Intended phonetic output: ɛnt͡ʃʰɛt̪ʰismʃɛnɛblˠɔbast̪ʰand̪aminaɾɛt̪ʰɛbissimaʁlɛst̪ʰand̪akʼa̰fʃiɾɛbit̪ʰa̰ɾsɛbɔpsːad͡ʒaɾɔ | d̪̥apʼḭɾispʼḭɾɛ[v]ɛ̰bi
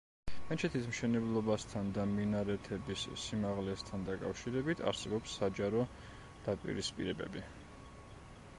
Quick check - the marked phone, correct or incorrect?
incorrect: b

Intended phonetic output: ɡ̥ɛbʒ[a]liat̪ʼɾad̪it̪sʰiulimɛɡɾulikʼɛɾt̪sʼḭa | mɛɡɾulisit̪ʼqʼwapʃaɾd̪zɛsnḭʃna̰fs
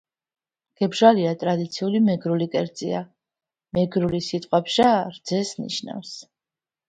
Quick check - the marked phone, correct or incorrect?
correct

